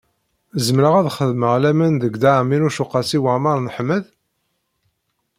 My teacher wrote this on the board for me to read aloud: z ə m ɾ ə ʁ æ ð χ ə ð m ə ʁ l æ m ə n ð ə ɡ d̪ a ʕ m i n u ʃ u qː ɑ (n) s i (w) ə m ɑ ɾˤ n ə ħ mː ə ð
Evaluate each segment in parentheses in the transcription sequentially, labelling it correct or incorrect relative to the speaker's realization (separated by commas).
incorrect, correct